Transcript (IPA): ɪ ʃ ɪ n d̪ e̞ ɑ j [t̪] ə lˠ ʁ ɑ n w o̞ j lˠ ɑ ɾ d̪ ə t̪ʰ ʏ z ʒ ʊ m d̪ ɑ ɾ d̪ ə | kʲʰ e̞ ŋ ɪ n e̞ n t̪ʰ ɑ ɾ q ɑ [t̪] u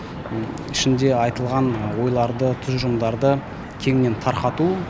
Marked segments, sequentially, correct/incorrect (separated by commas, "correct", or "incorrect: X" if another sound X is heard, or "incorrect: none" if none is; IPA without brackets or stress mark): correct, correct